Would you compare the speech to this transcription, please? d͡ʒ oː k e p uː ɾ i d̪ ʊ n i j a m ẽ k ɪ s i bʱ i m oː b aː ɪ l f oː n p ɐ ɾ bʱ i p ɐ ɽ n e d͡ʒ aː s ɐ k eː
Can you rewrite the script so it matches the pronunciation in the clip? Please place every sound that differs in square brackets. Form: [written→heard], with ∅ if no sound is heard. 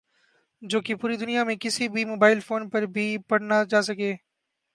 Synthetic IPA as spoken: d͡ʒ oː k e p uː ɾ i d̪ ʊ n i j a m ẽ k ɪ s i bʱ i m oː b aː ɪ l f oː n p ɐ ɾ bʱ i p ɐ ɽ n [e→a] d͡ʒ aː s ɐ k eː